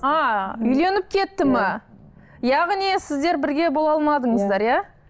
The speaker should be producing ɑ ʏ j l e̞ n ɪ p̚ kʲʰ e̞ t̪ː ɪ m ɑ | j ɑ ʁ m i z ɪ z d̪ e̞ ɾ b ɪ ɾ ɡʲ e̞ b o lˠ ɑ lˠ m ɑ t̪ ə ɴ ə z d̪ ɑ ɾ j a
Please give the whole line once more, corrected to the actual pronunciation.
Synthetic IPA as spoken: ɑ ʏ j l e̞ n ɪ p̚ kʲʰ e̞ t̪ː ɪ m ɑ | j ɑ ʁ n i s ɪ z d̪ e̞ ɾ b ɪ ɾ ɡʲ e̞ b o lˠ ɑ lˠ m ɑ d̪ ə ɴ ə z d̪ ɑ ɾ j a